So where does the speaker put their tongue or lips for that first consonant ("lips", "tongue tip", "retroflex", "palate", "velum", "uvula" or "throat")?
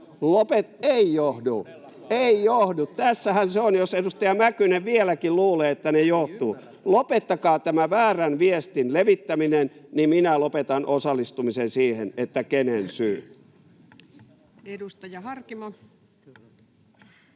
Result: tongue tip